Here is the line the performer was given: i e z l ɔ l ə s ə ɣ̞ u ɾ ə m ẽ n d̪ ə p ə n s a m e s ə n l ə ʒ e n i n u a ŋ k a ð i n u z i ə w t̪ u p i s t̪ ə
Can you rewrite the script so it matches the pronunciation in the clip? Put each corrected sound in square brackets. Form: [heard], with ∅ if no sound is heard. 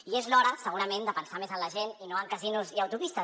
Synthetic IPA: i e z l ɔ [ɾ] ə s ə ɣ̞ u ɾ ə m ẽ n d̪ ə p ə n s a m e [z] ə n l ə ʒ e n i n [o] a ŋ k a [z] i n u z i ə w t̪ u p i s t̪ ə